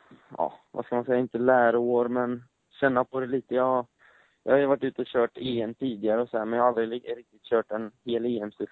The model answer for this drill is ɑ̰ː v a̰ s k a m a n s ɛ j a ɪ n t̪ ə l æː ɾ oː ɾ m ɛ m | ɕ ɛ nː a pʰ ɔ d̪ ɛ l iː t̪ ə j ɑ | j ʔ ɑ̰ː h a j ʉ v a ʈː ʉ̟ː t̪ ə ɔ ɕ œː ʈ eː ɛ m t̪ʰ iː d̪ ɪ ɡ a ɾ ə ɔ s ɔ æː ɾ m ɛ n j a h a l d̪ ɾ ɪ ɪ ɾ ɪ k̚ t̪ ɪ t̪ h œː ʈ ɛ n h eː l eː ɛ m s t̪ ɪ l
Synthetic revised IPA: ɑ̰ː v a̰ s k a m a n s ɛ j a ɪ n t̪ ə l æː ɾ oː ɾ m ɛ n | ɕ ɛ nː a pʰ ɔ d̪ ɛ l iː t̪ ə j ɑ | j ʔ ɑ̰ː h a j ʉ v a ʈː ʉ̟ː t̪ ə ɔ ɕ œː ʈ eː ɛ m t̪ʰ iː d̪ ɪ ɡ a ɾ ə ɔ s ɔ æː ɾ m ɛ n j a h a l d̪ ɾ ɪ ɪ ɾ ɪ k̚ t̪ ɪ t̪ ɕ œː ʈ ɛ n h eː l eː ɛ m s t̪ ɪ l